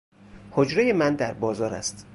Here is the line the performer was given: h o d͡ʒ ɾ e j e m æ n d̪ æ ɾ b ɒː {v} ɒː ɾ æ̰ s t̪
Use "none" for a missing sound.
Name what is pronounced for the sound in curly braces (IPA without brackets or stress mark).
z